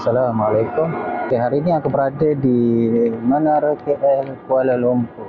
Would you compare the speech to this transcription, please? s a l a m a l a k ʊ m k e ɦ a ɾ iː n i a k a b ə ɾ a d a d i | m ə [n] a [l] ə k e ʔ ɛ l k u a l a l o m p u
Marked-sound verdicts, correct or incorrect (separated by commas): correct, incorrect